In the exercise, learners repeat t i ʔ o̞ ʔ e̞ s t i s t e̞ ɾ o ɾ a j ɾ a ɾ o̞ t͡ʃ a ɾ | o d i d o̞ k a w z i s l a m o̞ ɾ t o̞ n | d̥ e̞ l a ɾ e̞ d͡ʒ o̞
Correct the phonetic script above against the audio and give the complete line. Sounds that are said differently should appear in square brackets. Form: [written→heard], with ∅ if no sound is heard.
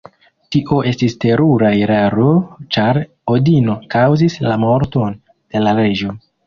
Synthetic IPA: t i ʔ o̞ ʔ e̞ s t i s t e̞ ɾ [o→u] ɾ a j ɾ a ɾ o̞ t͡ʃ a ɾ | o d i [d→n] o̞ k a w z i s l a m o̞ ɾ t o̞ n | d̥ e̞ l a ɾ e̞ d͡ʒ o̞